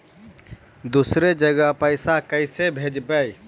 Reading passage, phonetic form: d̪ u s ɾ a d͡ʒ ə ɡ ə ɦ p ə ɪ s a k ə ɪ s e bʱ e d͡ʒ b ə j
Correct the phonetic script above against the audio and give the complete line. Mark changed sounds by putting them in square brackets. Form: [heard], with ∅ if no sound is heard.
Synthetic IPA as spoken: d̪ u s ɾ [e] d͡ʒ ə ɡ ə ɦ p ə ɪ s a k ə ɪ s e bʱ e d͡ʒ b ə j